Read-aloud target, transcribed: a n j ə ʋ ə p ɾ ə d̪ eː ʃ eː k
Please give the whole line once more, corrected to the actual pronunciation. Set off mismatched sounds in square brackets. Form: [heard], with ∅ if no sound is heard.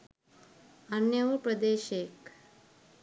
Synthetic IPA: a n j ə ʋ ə p ɾ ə d̪ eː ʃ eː k